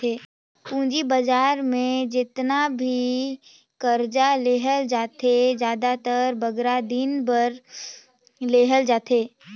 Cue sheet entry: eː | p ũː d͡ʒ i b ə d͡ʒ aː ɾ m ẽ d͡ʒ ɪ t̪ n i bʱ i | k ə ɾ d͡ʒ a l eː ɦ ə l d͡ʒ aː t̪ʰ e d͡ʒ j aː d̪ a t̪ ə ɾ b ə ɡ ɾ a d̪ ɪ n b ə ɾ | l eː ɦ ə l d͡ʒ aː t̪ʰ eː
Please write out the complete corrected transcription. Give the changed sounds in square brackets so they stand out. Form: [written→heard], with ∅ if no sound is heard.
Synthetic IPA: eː | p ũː d͡ʒ i b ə d͡ʒ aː ɾ m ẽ d͡ʒ ɪ t̪ n [i→a] bʱ i | k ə ɾ d͡ʒ a l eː ɦ ə l d͡ʒ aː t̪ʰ e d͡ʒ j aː d̪ a t̪ ə ɾ b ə ɡ ɾ a d̪ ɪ n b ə ɾ | l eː ɦ ə l d͡ʒ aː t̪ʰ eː